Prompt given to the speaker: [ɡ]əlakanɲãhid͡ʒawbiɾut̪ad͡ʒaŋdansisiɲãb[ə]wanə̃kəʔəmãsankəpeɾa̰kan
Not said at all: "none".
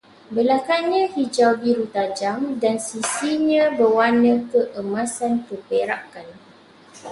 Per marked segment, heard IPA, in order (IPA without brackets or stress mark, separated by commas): b, ə